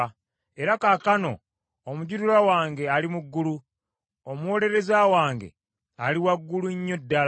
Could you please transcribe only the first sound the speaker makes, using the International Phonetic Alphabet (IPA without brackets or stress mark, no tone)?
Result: e̞